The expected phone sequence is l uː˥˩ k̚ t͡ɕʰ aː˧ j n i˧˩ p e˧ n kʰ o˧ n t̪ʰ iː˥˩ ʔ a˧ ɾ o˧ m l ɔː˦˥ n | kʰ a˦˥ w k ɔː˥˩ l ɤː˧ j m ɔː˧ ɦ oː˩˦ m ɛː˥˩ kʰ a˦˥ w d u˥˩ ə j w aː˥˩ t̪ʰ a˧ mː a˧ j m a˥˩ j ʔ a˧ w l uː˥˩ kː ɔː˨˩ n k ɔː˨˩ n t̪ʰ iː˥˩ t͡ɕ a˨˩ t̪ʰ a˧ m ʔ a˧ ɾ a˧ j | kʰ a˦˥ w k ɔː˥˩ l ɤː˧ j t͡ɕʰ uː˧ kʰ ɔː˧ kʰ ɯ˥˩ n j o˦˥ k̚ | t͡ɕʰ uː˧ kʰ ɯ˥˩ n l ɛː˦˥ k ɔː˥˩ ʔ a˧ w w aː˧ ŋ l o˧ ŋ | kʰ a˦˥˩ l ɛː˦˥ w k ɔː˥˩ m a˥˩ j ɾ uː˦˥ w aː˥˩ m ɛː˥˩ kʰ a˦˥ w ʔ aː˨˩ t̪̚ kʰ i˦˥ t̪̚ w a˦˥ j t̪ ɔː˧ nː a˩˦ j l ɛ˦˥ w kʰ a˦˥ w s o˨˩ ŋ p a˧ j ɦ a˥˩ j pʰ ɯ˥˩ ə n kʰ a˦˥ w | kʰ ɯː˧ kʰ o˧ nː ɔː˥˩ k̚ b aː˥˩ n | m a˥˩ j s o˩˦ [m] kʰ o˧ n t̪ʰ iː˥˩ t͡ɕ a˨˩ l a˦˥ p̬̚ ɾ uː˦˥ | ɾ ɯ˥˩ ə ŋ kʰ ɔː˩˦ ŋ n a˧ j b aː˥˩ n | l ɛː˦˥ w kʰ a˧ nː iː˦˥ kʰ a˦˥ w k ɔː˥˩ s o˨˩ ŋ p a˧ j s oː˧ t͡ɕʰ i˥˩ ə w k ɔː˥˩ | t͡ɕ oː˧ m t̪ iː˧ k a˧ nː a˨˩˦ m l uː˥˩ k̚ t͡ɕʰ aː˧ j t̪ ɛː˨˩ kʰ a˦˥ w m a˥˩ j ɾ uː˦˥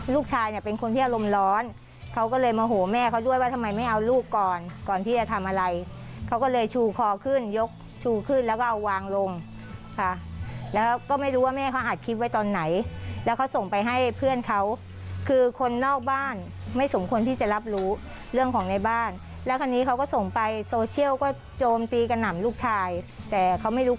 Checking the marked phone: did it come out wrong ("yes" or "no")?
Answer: no